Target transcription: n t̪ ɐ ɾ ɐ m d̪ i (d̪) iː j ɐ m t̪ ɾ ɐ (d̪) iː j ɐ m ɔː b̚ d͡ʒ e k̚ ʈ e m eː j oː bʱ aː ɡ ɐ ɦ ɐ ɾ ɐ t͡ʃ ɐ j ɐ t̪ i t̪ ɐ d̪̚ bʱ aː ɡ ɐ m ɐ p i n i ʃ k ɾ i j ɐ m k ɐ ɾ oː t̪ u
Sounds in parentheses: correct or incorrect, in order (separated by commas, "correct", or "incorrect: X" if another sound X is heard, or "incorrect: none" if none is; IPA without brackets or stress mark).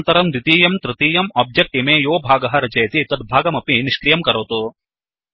incorrect: t̪, incorrect: t̪